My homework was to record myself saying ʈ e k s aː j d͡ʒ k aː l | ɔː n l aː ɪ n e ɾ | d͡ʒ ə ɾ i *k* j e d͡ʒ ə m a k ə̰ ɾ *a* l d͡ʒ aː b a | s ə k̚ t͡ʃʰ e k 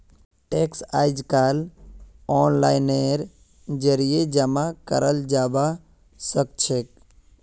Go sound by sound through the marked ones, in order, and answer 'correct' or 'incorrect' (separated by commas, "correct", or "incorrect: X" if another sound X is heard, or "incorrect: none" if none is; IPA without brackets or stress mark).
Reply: incorrect: none, incorrect: ə